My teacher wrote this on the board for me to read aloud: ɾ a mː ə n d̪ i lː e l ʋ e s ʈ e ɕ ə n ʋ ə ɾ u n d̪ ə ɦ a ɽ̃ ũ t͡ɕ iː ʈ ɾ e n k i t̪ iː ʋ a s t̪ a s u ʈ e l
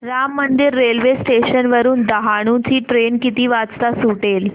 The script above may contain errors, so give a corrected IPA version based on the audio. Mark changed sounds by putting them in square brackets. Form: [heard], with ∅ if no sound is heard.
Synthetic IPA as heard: ɾ a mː ə n d̪ i [ɾː] e l ʋ e s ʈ e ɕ ə n ʋ ə ɾ [uː] n d̪ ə ɦ a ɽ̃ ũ t͡ɕ iː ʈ ɾ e n k i t̪ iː ʋ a [t͡s] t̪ a s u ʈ e l